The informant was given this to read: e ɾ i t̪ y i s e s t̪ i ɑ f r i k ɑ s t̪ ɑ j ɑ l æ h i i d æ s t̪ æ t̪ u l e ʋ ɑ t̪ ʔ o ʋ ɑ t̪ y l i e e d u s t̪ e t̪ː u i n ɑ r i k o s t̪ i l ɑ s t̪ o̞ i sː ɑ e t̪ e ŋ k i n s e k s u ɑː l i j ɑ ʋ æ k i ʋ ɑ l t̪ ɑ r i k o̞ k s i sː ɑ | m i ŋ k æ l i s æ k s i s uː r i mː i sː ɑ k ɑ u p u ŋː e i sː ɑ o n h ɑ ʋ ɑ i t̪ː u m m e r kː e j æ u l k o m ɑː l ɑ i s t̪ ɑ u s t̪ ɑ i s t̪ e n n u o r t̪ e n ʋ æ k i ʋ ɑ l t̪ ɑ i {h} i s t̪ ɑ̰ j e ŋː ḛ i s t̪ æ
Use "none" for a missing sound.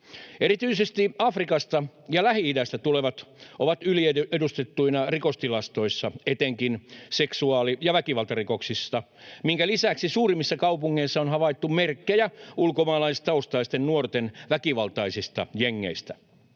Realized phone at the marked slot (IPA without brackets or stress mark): s